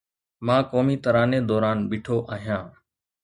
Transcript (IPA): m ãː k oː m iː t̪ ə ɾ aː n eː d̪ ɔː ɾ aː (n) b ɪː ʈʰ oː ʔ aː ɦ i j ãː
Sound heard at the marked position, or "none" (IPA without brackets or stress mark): n